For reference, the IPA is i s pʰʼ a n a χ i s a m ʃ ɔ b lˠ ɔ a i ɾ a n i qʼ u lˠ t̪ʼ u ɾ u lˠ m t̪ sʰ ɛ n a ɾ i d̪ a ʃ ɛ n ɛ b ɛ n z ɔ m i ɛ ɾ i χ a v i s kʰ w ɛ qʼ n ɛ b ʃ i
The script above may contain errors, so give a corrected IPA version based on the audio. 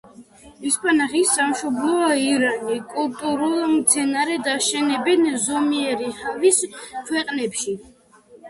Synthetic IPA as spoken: i s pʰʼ a n a χ i s a m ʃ ɔ b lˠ ɔ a i ɾ a n i kʼ u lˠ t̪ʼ u ɾ u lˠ m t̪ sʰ ɛ n a ɾ ɛ d̪ a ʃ ɛ n ɛ b ɛ n z ɔ m i ɛ ɾ i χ a v i s kʰ w ɛ qʼ n ɛ p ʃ i